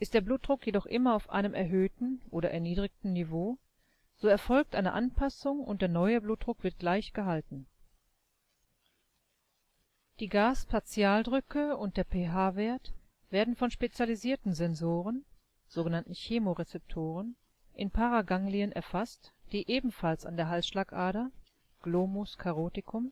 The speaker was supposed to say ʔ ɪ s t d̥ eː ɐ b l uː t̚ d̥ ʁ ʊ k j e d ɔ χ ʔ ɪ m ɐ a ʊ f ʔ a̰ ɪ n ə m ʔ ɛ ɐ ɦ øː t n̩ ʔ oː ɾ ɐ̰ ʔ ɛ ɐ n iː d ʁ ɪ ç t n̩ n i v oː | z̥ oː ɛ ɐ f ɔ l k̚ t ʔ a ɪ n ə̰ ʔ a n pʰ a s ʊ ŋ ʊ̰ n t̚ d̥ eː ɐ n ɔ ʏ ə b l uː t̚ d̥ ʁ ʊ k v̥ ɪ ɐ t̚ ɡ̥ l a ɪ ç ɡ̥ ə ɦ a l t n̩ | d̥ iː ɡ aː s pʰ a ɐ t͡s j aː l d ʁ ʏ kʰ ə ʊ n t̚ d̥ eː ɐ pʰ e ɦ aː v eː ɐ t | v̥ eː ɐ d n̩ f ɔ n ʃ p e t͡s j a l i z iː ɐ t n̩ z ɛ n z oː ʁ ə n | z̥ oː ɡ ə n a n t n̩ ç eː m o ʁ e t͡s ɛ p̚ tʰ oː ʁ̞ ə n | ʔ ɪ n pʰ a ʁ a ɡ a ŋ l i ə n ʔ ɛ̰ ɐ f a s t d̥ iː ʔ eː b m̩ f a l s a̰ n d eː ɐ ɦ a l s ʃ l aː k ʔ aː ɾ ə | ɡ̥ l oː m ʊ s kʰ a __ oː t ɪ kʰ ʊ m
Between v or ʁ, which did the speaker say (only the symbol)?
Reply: ʁ